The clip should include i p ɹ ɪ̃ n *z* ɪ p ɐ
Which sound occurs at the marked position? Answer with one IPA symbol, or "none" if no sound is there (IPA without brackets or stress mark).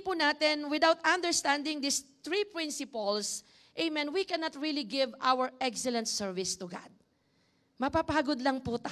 s